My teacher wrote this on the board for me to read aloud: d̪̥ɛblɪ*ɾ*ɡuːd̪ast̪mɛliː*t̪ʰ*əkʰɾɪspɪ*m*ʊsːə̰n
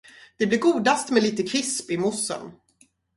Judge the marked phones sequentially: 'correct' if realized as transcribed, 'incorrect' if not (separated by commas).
correct, incorrect, correct